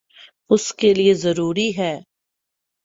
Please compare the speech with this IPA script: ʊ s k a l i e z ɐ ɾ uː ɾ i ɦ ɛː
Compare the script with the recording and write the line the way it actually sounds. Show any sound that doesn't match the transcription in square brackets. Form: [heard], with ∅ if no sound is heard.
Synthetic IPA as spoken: ʊ s k [e] l i e z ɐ ɾ uː ɾ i ɦ ɛː